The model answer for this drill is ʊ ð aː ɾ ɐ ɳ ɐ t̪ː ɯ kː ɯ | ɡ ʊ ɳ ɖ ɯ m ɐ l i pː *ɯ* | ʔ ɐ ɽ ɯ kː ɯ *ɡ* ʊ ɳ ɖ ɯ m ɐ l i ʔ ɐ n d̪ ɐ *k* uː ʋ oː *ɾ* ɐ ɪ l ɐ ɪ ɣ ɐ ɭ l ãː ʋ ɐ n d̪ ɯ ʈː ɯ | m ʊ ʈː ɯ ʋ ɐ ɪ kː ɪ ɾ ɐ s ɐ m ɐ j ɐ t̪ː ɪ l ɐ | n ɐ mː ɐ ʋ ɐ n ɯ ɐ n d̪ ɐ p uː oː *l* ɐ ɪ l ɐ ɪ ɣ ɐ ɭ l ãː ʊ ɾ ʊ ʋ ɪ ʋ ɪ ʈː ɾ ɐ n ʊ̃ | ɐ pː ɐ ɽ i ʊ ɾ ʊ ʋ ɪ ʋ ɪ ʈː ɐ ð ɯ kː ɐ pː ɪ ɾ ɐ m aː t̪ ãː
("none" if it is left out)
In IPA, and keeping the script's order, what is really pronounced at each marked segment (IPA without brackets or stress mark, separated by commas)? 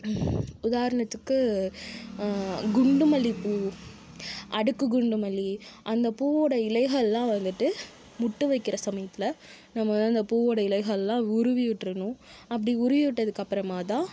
u, ɡ, p, ɽ, ɽ